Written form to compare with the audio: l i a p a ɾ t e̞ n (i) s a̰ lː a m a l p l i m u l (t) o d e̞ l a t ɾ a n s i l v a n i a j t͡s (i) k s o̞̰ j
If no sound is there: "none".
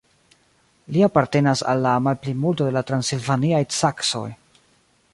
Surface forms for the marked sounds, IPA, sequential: a, t, a

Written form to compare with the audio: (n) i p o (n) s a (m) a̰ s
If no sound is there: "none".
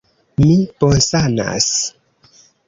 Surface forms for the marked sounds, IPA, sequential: m, n, n

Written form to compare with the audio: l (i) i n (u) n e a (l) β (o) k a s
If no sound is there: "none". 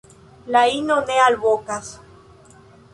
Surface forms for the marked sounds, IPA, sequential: a, o, l, o

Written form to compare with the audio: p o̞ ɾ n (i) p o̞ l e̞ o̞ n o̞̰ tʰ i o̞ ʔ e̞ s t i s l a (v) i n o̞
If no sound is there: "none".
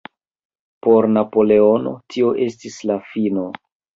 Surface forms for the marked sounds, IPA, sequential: a, f

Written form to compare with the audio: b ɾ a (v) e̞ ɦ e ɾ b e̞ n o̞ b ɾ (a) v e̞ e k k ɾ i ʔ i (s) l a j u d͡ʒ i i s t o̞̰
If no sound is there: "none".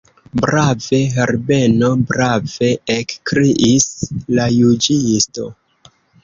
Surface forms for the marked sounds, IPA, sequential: v, a, s

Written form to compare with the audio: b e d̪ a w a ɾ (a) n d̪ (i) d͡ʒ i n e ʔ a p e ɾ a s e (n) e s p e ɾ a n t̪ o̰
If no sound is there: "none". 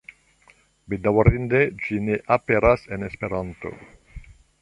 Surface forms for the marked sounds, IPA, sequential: i, e, n

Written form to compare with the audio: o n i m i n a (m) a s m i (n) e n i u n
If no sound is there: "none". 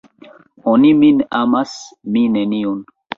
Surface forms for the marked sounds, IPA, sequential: m, n

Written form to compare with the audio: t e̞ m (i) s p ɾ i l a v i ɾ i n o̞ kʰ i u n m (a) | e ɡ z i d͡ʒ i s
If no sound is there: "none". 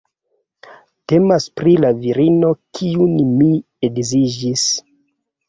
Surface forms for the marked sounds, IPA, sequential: a, i

